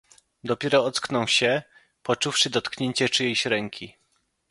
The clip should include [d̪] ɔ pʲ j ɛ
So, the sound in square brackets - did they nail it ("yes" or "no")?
yes